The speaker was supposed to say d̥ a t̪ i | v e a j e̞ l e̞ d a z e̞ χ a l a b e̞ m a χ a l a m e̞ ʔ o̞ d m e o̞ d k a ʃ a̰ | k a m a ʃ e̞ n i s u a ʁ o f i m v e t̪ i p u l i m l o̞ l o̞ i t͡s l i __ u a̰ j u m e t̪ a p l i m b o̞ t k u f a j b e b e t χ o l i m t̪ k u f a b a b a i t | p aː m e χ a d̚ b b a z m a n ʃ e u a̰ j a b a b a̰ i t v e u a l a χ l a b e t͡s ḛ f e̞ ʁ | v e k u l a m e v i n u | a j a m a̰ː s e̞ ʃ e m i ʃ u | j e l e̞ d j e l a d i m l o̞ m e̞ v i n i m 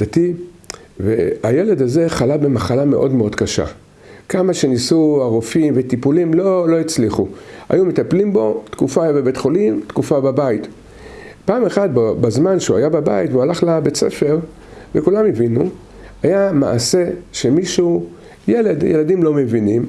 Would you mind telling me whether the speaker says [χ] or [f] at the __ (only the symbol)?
χ